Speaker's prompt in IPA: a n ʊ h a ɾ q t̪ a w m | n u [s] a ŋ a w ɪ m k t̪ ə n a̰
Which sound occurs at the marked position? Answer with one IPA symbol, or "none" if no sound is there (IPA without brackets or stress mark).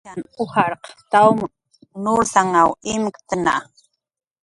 s